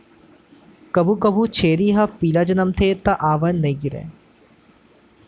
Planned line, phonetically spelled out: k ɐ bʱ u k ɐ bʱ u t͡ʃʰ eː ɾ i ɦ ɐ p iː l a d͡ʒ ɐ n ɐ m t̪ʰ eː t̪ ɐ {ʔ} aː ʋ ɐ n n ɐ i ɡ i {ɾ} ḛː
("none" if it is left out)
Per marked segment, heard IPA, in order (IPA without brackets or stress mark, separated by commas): ʔ, ɾ